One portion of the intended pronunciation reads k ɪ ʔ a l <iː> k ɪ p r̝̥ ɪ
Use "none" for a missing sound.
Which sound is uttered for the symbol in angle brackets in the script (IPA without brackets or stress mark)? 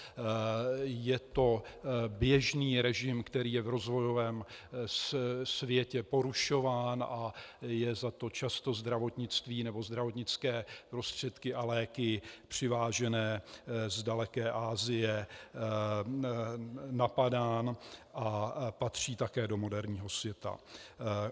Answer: ɛː